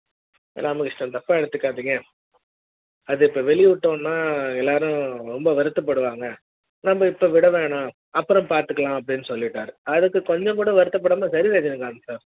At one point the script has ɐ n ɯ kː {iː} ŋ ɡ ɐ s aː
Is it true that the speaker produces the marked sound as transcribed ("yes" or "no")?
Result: no